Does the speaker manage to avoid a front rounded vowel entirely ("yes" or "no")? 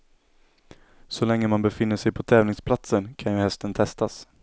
yes